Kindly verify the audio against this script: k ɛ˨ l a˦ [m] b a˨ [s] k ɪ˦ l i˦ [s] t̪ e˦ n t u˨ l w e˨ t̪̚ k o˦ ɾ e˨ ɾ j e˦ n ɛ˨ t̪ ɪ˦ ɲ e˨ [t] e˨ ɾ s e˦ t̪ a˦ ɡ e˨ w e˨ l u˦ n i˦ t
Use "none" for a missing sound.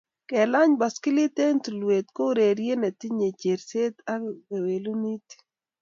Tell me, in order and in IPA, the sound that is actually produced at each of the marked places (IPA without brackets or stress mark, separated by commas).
ɲ, s, none, t͡ʃ